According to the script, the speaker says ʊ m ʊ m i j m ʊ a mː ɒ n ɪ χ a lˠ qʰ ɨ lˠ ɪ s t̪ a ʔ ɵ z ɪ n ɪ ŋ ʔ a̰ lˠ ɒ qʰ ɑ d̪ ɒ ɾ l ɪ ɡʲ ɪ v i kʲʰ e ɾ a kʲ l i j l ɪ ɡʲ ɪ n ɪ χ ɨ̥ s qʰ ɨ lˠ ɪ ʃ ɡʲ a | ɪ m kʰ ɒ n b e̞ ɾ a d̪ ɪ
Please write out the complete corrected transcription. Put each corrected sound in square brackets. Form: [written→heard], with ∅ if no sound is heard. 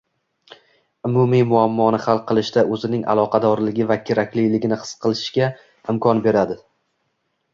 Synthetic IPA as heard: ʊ m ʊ m i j m ʊ a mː ɒ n ɪ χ a lˠ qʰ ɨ lˠ ɪ [s→ʃ] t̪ a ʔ ɵ z ɪ n ɪ ŋ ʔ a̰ lˠ ɒ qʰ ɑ d̪ ɒ ɾ l ɪ ɡʲ ɪ v [i→a] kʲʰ e ɾ a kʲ l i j l ɪ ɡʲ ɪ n ɪ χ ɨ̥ s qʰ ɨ lˠ ɪ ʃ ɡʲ a | ɪ m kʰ ɒ n b e̞ ɾ a d̪ ɪ

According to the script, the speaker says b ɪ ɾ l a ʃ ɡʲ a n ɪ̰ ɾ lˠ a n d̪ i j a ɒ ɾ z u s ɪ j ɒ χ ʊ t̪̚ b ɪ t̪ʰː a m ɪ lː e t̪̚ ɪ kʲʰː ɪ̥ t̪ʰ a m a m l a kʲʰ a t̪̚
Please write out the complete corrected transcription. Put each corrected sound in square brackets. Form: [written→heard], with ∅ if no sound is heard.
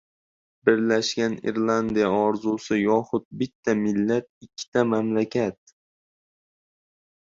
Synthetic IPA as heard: b ɪ ɾ l a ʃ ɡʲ a n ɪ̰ ɾ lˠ a n d̪ i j a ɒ ɾ z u s ɪ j ɒ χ ʊ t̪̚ b ɪ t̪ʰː a m ɪ lː [e→a] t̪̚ ɪ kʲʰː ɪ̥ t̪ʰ a m a m l a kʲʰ a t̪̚

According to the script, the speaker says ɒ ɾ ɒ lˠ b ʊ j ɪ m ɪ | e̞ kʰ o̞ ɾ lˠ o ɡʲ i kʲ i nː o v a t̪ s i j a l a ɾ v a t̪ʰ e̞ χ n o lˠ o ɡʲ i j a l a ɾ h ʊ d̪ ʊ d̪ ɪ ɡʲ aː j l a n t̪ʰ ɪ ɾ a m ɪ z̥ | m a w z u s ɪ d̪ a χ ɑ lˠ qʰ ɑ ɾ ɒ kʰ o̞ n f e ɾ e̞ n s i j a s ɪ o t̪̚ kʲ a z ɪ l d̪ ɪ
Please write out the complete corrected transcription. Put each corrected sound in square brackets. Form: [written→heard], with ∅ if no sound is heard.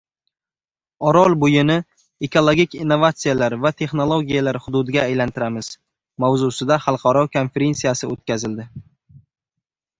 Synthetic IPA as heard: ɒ ɾ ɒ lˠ b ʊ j ɪ [m→n] ɪ | e̞ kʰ o̞ [ɾ→∅] lˠ o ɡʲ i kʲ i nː o v a t̪ s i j a l a ɾ v a t̪ʰ e̞ χ n o lˠ o ɡʲ i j a l a ɾ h ʊ d̪ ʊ d̪ ɪ ɡʲ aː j l a n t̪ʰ ɪ ɾ a m ɪ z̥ | m a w z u s ɪ d̪ a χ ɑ lˠ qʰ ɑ ɾ ɒ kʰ o̞ n f e ɾ e̞ n s i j a s ɪ o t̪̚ kʲ a z ɪ l d̪ ɪ

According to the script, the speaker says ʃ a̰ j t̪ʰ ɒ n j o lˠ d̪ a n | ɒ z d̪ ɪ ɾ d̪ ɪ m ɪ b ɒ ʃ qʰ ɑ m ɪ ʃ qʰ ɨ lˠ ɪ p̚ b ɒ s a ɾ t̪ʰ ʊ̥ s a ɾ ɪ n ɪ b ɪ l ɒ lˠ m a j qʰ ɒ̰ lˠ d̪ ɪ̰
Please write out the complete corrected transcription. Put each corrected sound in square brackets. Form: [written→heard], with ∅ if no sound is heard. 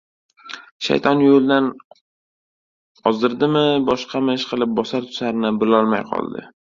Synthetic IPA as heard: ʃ a̰ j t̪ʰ ɒ n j o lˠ d̪ a n | ɒ z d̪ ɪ ɾ d̪ ɪ m ɪ b ɒ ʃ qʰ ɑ m ɪ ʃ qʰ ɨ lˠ ɪ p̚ b ɒ s a ɾ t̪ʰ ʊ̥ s a ɾ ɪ n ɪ b ɪ l ɒ lˠ m a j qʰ ɒ̰ lˠ d̪ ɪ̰

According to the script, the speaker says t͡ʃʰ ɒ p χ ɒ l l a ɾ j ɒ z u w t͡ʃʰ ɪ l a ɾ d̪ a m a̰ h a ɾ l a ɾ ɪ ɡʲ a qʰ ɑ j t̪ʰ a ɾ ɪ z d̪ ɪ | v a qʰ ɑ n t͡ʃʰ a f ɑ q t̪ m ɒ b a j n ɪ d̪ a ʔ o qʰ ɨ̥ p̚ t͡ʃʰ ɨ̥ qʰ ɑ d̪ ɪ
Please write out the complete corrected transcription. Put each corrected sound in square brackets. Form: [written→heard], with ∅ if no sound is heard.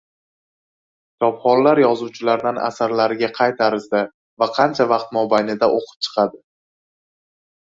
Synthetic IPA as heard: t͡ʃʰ ɒ p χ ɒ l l a ɾ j ɒ z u w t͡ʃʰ ɪ l a ɾ d̪ a [m→n] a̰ [h→s] a ɾ l a ɾ ɪ ɡʲ a qʰ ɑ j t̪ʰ a ɾ ɪ z d̪ ɪ | v a qʰ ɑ n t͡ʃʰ a [f→v] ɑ q t̪ m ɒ b a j n ɪ d̪ a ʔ o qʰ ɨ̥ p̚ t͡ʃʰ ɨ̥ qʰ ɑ d̪ ɪ

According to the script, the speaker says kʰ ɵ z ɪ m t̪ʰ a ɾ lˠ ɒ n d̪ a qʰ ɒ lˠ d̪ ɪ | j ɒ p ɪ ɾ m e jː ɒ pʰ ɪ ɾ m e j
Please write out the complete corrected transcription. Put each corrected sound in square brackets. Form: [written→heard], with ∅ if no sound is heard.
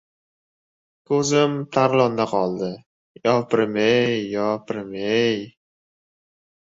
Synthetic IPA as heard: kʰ ɵ z ɪ m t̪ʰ a ɾ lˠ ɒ n d̪ a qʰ ɒ lˠ d̪ ɪ | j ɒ p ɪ ɾ m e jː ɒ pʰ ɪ ɾ m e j

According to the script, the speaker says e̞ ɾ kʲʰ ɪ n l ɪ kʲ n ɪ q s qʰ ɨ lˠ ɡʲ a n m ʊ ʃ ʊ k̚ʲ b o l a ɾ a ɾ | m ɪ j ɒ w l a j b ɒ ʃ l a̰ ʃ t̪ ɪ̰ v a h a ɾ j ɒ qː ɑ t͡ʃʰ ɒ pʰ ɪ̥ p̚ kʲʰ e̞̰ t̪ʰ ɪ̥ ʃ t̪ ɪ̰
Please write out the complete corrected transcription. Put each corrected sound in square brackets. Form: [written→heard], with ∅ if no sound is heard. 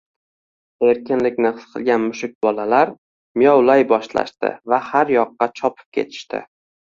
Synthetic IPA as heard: e̞ ɾ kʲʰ ɪ n l ɪ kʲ n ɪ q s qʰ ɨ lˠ ɡʲ a n m ʊ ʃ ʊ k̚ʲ b [o→ɒ] l a [ɾ→l] a ɾ | m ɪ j ɒ w l a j b ɒ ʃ l a̰ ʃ t̪ ɪ̰ v a h a ɾ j ɒ qː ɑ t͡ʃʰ ɒ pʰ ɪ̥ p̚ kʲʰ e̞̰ t̪ʰ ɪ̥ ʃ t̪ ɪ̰

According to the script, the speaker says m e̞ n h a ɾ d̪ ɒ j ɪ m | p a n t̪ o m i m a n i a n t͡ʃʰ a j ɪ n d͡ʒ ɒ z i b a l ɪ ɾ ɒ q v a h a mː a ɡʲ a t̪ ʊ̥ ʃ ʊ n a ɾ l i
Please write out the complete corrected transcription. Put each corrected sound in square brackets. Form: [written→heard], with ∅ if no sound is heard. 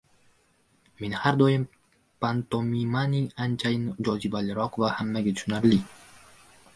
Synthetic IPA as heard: m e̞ n h a ɾ d̪ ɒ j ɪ m | p a n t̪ o m i m a n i a n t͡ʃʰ a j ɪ n d͡ʒ ɒ z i b a l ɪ ɾ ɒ q v a h a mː a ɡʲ a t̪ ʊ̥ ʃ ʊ n a ɾ l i

